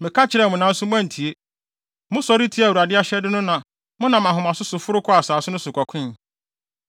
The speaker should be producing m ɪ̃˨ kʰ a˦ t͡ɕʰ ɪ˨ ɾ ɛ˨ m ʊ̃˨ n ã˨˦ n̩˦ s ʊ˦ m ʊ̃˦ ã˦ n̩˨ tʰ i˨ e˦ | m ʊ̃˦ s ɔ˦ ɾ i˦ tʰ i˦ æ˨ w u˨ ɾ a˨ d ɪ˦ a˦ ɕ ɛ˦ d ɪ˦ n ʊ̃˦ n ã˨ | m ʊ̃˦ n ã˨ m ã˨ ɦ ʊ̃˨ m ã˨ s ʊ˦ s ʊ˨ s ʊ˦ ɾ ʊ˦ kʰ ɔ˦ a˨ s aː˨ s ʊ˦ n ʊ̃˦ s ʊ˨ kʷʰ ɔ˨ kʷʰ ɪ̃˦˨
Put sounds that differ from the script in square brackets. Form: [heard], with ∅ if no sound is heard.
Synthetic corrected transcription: m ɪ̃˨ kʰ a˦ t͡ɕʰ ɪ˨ ɾ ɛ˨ m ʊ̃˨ n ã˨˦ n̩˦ s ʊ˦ m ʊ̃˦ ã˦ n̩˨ tʰ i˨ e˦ | m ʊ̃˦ s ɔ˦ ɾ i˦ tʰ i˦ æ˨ w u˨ ɾ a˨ d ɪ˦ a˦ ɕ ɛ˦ d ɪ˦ n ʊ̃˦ n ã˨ | m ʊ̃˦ n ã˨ m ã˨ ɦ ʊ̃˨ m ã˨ s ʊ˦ s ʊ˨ [f] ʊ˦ ɾ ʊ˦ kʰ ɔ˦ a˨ s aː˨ s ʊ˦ n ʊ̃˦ s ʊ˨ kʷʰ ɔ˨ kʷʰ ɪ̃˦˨

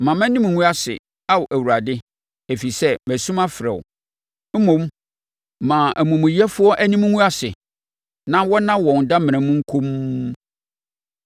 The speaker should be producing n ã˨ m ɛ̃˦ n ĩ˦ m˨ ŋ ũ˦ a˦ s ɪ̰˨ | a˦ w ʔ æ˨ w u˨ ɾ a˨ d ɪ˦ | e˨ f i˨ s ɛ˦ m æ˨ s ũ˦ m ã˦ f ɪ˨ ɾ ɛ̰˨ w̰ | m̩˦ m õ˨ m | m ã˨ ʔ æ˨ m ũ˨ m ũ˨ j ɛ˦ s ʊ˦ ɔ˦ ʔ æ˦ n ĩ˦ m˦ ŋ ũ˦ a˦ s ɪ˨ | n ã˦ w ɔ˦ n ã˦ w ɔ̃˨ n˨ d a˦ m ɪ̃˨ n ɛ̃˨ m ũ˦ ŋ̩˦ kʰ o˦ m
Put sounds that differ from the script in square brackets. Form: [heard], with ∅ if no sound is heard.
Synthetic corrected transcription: [m] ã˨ m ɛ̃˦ n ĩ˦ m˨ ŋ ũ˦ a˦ s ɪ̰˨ | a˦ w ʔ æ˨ w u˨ ɾ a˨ d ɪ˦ | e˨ f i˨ s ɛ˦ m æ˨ s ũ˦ m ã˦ f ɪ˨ ɾ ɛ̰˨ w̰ | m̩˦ m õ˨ m | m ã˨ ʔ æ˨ m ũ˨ m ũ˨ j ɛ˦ [f] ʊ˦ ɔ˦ ʔ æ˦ n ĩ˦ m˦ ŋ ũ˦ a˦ s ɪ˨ | n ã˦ w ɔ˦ n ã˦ w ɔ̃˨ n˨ d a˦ m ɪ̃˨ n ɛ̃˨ m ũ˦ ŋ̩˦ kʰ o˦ m

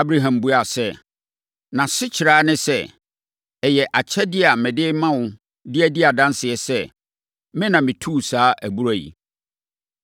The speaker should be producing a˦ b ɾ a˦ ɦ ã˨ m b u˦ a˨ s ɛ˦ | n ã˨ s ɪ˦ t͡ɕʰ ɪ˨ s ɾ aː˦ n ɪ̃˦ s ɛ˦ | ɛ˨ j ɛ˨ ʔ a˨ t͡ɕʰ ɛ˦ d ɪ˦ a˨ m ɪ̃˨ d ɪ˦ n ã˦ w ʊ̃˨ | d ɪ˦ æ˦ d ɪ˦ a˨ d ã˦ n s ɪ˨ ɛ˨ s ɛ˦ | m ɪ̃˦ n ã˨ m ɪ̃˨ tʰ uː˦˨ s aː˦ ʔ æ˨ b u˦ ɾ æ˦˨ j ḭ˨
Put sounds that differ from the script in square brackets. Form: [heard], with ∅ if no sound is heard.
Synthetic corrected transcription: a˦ b ɾ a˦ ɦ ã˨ m b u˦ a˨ s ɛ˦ | n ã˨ s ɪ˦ t͡ɕʰ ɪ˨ [∅] ɾ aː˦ n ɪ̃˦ s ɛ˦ | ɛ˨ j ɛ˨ ʔ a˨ t͡ɕʰ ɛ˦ d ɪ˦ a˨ m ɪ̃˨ d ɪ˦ [m] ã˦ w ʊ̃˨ | d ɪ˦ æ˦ d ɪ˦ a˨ d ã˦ n s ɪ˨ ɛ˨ s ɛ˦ | m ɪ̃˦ n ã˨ m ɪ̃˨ tʰ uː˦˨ s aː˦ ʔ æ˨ b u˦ ɾ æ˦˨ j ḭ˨

